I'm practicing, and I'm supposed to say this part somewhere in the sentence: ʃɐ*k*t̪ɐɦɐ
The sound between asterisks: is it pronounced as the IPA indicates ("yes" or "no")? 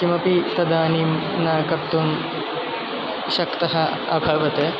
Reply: yes